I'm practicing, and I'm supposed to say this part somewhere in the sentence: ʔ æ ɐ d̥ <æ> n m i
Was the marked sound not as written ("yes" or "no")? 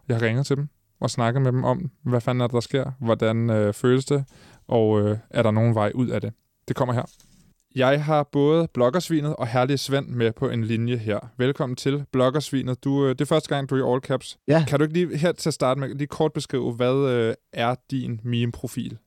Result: yes